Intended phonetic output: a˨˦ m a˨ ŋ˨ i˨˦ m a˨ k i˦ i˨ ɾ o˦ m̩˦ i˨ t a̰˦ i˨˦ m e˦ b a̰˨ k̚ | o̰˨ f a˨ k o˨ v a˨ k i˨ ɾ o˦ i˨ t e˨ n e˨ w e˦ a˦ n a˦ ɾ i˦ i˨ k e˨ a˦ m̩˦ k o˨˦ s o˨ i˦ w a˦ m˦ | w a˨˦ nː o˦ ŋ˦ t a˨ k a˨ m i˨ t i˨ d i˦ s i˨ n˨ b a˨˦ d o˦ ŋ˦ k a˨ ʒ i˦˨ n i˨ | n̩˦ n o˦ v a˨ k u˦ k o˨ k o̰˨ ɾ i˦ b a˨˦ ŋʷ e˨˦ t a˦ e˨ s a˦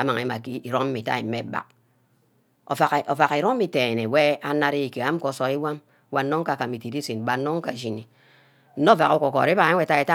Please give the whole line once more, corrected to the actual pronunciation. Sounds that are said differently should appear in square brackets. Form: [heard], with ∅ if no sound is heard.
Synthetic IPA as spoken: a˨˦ m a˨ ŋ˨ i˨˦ m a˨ k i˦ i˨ ɾ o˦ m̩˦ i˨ t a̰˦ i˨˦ m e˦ b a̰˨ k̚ | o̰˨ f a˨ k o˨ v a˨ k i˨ ɾ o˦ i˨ t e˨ n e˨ w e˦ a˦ n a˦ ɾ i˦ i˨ k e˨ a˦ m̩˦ k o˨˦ s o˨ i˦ w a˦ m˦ | w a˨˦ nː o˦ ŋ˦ [k] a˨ k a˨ m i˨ t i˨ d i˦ s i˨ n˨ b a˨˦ [n] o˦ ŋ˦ k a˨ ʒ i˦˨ n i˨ | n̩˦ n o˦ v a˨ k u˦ k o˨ k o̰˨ ɾ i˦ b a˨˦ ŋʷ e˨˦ t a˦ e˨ [t] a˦